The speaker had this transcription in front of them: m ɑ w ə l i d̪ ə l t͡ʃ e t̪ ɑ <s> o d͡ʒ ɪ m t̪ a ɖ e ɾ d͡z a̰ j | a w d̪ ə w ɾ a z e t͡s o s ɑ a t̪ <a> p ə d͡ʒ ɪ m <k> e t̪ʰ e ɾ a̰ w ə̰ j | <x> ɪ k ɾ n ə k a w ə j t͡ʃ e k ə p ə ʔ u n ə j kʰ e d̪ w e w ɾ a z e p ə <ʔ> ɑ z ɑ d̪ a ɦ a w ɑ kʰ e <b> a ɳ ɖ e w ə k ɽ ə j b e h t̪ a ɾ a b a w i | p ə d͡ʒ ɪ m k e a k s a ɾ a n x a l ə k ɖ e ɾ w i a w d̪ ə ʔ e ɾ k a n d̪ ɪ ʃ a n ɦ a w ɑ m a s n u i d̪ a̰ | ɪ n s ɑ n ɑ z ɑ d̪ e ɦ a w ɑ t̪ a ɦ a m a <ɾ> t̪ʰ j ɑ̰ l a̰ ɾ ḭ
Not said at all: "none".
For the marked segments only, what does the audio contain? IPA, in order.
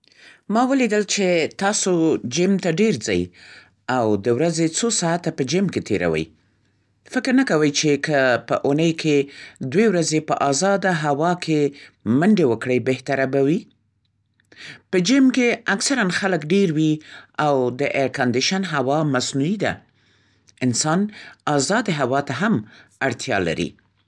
s, a, k, f, ʔ, m, ɽ

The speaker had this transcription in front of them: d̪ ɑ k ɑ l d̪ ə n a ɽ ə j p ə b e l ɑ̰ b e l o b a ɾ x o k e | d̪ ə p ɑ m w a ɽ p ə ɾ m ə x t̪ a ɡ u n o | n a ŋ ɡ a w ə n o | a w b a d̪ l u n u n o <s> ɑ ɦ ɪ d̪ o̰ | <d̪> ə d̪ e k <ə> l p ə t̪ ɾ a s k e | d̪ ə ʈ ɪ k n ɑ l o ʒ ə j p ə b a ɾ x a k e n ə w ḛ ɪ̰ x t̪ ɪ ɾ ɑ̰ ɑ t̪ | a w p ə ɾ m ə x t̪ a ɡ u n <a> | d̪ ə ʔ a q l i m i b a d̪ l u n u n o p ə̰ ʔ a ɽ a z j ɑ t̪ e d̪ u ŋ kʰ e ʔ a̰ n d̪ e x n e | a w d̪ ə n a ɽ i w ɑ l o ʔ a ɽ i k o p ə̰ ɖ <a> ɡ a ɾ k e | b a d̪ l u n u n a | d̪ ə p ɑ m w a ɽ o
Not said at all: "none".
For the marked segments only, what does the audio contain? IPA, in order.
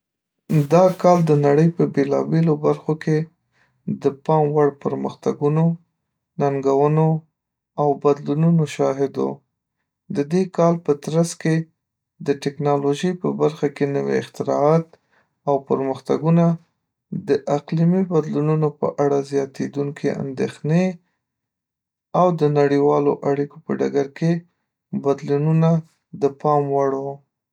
ʃ, d̪, ɑ, a, a

